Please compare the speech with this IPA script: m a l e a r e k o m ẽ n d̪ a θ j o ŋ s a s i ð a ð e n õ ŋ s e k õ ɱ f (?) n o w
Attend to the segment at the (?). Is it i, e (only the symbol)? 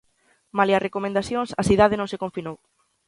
i